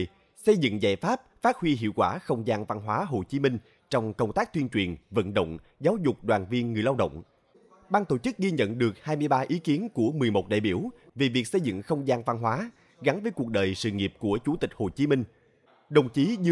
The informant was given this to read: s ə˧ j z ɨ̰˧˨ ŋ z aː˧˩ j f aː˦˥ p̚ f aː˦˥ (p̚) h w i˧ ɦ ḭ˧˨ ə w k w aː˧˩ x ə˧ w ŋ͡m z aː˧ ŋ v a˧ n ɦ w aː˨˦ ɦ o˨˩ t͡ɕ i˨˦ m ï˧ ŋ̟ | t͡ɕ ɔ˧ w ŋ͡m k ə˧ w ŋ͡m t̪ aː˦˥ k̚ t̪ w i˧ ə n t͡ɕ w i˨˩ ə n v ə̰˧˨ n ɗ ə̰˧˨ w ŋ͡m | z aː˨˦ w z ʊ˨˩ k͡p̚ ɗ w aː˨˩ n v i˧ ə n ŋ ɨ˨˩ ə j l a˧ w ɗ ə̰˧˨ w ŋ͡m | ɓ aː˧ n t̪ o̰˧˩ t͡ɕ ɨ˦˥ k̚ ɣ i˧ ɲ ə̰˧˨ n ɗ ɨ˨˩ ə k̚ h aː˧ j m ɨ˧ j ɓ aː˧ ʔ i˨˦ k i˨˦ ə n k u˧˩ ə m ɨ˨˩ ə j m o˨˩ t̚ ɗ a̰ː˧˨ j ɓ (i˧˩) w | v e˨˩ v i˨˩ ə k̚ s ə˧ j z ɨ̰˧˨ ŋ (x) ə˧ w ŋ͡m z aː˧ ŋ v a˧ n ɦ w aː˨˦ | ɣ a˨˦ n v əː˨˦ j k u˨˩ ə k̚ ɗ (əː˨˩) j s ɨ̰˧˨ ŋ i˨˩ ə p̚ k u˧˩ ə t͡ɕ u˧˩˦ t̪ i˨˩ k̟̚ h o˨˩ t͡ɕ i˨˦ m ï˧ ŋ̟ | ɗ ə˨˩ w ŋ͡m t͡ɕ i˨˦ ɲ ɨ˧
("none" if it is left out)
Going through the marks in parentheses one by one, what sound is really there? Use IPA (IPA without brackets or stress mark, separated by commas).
t̚, i˧˩, x, əː˨˩